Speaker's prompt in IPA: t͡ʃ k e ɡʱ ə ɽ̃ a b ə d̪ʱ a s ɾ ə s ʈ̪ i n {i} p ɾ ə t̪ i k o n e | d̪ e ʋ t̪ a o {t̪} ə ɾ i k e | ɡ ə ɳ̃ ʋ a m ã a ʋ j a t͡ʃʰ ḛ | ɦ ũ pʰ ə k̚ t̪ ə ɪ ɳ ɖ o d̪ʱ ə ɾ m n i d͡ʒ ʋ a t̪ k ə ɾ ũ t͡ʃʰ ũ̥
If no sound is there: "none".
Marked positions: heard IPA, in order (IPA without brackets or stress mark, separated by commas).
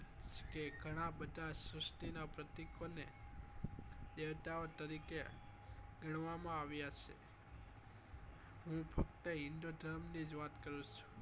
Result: a, t̪